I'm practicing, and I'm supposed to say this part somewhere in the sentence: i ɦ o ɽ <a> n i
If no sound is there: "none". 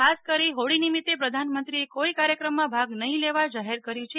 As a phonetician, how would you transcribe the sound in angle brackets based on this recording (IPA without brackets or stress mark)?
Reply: i